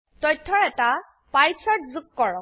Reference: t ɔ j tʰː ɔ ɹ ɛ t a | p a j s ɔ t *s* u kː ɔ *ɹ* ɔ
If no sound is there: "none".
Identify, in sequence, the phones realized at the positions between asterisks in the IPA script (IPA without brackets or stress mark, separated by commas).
z, ɹ